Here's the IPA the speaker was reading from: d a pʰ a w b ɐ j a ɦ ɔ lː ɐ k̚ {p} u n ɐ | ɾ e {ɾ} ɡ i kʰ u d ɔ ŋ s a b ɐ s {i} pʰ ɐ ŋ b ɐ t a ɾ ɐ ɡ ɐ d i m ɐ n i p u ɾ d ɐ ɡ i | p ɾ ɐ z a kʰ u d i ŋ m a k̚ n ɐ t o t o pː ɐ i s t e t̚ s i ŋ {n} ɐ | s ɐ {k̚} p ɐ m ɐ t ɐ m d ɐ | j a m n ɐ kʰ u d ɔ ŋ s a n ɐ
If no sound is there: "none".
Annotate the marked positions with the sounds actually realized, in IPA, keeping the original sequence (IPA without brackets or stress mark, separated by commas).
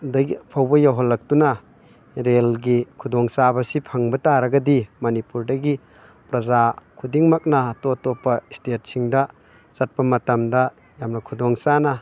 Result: t, l, i, d, t̚